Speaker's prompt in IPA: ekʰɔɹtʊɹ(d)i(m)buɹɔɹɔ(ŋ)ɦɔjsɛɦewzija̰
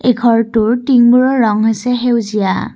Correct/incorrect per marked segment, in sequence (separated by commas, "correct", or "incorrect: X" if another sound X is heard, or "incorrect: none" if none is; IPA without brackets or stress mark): incorrect: t, incorrect: ŋ, correct